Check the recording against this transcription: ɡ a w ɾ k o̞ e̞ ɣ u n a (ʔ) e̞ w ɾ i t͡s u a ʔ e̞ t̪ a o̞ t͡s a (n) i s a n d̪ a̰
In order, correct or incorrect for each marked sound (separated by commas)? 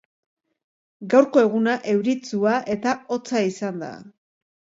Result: correct, incorrect